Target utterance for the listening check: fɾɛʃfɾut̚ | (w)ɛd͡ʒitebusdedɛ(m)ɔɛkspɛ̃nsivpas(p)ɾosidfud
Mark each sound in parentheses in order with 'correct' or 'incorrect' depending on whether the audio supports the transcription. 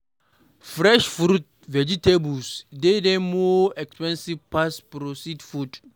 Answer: incorrect: v, correct, correct

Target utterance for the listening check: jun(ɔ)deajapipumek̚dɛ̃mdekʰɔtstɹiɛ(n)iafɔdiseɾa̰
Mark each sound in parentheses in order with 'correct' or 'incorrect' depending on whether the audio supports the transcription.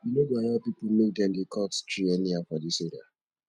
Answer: incorrect: o, correct

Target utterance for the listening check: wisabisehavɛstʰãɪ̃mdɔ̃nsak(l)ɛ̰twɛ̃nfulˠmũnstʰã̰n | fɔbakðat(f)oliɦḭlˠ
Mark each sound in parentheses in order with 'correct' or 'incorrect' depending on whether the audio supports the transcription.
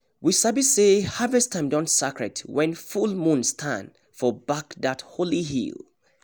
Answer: incorrect: ɹ, incorrect: h

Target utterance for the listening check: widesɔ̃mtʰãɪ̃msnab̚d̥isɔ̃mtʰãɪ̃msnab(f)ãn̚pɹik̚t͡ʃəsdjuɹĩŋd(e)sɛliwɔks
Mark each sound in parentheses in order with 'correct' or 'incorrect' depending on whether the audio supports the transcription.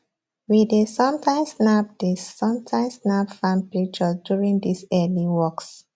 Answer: correct, incorrect: i

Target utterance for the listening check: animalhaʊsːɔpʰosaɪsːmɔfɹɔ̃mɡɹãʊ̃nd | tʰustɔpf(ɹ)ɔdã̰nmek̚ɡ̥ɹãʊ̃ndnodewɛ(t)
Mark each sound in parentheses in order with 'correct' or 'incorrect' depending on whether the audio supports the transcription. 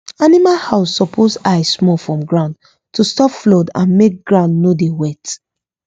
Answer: incorrect: l, correct

